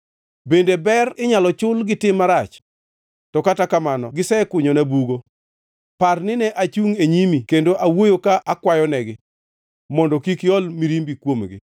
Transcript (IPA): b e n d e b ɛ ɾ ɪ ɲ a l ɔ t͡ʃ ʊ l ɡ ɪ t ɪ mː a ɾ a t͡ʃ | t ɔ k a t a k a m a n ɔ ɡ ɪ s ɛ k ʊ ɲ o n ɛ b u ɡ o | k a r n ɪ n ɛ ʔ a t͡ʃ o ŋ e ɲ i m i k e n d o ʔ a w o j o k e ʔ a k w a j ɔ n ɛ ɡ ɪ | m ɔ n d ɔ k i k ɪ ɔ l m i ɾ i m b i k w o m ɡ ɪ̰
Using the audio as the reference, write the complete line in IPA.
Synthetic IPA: b e n d e b ɛ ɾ ɪ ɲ a l ɔ t͡ʃ ʊ l ɡ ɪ t ɪ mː a ɾ a t͡ʃ | t ɔ k a t a k a m a n ɔ ɡ ɪ s ɛ k ʊ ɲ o n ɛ b u ɡ o | p a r n ɪ n ɛ ʔ a t͡ʃ u ŋ e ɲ i m i k e n d o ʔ a w o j o k a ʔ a k w a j ɔ n ɛ ɡ ɪ | m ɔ n d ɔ k i k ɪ ɔ l m i ɾ i m b i k w o m ɡ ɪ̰

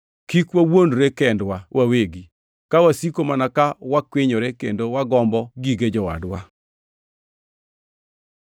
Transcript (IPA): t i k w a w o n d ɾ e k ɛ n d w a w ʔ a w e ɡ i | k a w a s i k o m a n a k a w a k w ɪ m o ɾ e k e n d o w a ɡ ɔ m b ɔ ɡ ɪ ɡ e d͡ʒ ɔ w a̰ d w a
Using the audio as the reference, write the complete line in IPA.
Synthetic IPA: k i k w a w o n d ɾ e k ɛ n d w a w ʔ a w e ɡ i | k a w a s i k o m a n a k a w a k w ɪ ɲ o ɾ e k e n d o w a ɡ ɔ m b ɔ ɡ i ɡ e d͡ʒ ɔ w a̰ d w a

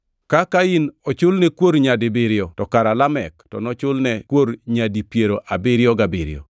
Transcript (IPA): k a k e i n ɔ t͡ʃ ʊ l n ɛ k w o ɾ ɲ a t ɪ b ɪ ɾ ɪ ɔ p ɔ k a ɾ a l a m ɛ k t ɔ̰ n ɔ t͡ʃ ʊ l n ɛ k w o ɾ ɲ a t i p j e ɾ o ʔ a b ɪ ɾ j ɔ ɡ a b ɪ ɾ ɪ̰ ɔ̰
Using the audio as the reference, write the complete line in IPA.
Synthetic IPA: k a k a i n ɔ t͡ʃ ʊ l n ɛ k w o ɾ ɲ a d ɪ b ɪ ɾ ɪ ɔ t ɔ k a ɾ a l a m ɛ k t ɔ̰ n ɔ t͡ʃ ʊ l n ɛ k w o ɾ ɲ a d i p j e ɾ o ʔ a b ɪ ɾ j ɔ ɡ a b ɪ ɾ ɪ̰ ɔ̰

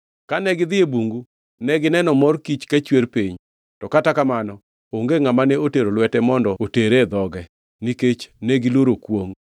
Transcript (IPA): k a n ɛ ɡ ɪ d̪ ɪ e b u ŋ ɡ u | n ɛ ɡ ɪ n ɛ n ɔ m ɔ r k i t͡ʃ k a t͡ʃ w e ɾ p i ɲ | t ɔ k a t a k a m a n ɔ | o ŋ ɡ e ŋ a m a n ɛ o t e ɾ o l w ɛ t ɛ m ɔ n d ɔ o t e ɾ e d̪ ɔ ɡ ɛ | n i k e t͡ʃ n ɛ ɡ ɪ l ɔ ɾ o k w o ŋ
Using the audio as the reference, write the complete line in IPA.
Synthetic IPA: k a n ɛ ɡ ɪ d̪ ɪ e b u ŋ ɡ u | n ɛ ɡ ɪ n ɛ n ɔ m ɔ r k i t͡ʃ k a t͡ʃ w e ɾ p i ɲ | t ɔ k a t a k a m a n ɔ | o ŋ ɡ e ŋ a m a n ɛ o t e ɾ o l w ɛ t ɛ m ɔ n d ɔ o t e ɾ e d̪ ɔ ɡ ɛ | n i k e t͡ʃ n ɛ ɡ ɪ l o ɾ o k w o ŋ

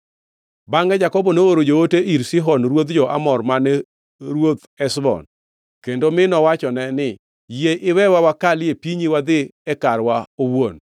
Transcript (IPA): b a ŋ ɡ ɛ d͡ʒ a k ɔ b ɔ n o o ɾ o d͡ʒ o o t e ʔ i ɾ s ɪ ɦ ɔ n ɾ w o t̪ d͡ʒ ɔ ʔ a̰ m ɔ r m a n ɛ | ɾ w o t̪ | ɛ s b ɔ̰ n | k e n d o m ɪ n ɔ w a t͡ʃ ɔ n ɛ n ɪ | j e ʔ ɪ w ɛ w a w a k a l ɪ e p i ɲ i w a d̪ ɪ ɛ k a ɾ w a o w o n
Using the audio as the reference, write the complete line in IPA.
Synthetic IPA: b a ŋ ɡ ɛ d͡ʒ a k ɔ b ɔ n o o ɾ o d͡ʒ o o t e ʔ i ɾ s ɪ ɦ ɔ n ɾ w o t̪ d͡ʒ ɔ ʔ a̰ m ɔ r m a n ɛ | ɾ w o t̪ | ɛ s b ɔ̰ n | k e n d o m ɪ n ɔ w a t͡ʃ ɔ n ɛ n ɪ | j e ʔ ɪ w ɛ w a w a k a l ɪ e p i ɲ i w a d̪ ɪ ɛ k a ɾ w a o w o n

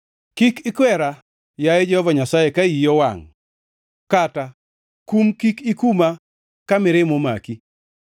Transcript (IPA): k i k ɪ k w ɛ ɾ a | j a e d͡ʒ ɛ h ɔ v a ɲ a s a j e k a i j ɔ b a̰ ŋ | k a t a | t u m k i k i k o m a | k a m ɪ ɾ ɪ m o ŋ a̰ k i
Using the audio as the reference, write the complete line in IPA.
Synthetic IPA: k i k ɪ k w ɛ ɾ a | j a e d͡ʒ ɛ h ɔ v a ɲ a s a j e k a i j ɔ w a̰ ŋ | k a t a | k u m k i k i k u m a | k a m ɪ ɾ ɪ m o m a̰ k i

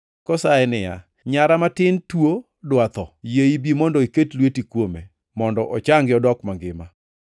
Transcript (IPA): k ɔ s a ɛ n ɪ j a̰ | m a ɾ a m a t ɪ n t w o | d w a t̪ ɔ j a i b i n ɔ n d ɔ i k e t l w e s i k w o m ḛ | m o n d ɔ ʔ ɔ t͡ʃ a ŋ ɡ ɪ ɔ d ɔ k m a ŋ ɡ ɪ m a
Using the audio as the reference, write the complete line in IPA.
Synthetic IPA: k ɔ s a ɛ n ɪ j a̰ | ɲ a ɾ a m a t ɪ n t w o | d w a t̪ ɔ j e i b i m ɔ n d ɔ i k e t l w e t i k w o m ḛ | m ɔ n d ɔ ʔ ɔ t͡ʃ a ŋ ɡ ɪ ɔ d ɔ k m a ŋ ɡ ɪ m a

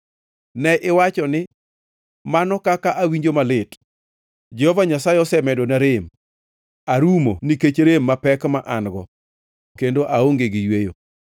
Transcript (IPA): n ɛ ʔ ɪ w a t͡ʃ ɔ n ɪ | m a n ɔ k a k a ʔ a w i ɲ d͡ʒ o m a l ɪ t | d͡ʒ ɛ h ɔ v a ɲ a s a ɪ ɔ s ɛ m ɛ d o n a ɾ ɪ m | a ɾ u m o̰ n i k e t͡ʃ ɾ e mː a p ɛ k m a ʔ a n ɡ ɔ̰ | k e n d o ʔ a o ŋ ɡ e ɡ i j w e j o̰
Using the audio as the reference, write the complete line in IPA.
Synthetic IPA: n ɛ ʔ ɪ w a t͡ʃ ɔ n ɪ | m a n ɔ k a k a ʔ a w i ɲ d͡ʒ o m a l ɪ t | d͡ʒ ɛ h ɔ v a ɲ a s a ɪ ɔ s ɛ m ɛ d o n a ɾ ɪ m | a ɾ u m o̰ n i k e t͡ʃ ɾ e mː a p ɛ k m a ʔ a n ɡ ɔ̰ | k e n d o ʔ a o ŋ ɡ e ɡ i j w e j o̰

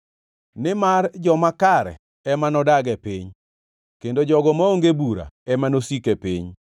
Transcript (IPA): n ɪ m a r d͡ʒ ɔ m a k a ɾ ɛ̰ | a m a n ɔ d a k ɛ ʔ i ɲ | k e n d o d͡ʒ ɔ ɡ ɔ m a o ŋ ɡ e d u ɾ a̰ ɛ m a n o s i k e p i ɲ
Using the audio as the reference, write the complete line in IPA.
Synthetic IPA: n ɪ m a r d͡ʒ ɔ m a k a ɾ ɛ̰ | ɛ m a n ɔ d a ɡ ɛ p i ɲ | k e n d o d͡ʒ ɔ ɡ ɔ m a o ŋ ɡ e b u ɾ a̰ ɛ m a n o s i k e p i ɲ

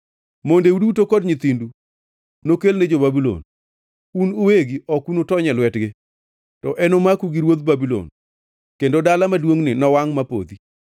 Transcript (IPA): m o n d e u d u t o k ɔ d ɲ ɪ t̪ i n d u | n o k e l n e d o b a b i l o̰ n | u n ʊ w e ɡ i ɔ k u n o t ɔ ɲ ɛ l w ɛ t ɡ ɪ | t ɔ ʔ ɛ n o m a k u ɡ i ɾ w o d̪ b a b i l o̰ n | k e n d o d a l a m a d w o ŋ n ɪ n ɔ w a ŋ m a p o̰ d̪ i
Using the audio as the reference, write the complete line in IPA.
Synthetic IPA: m o n d e u d u t o k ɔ d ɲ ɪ t̪ i n d u | n o k e l n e d͡ʒ o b a b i l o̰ n | u n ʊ w e ɡ i ɔ k u n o t ɔ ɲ ɛ l w ɛ t ɡ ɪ | t ɔ ʔ ɛ n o m a k u ɡ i ɾ w o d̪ b a b i l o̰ n | k e n d o d a l a m a d w o ŋ n ɪ n ɔ w a ŋ m a p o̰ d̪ i

